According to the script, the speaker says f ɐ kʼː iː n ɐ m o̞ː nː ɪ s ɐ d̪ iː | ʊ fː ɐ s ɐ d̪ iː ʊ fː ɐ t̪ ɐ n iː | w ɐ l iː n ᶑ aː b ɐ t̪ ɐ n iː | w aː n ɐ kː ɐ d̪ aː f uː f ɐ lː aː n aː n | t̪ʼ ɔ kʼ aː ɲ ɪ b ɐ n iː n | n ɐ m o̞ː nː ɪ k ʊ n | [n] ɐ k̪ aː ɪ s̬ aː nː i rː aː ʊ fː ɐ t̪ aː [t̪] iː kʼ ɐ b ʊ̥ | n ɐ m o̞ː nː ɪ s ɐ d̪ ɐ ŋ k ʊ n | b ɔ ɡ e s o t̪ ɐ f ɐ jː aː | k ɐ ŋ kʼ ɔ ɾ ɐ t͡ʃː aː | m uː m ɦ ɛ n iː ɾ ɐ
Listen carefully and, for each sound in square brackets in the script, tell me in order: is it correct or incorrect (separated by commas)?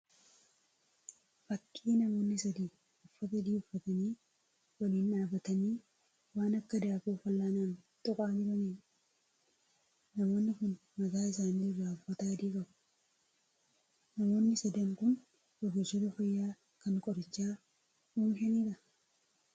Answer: incorrect, incorrect